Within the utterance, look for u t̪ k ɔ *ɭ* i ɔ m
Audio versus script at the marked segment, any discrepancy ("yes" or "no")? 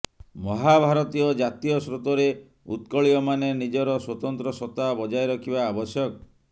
no